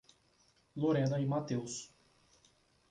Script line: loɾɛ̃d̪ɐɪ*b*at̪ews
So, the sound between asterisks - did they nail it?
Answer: no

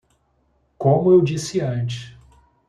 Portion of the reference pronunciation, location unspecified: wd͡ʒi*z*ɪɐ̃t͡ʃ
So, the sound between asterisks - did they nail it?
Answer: no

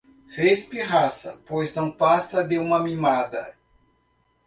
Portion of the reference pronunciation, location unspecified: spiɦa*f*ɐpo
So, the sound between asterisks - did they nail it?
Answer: no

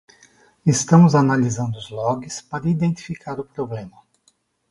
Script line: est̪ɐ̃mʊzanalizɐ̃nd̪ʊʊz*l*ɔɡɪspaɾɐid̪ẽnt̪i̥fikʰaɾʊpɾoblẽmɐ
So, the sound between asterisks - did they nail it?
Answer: yes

